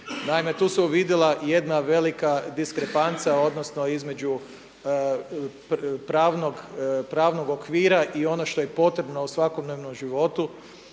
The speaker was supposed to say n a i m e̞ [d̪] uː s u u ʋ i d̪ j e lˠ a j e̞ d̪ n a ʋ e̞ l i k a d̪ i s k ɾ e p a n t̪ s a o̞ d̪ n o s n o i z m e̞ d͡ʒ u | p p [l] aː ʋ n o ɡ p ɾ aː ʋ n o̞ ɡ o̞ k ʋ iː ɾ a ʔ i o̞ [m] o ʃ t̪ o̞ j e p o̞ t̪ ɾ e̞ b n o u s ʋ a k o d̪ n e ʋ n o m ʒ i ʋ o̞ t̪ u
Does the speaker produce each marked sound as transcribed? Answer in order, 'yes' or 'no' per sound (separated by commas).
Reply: no, no, no